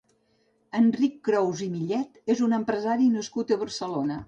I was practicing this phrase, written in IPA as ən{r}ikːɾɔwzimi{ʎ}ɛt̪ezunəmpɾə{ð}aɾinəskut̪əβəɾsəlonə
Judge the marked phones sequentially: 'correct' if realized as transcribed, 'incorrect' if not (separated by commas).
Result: correct, correct, incorrect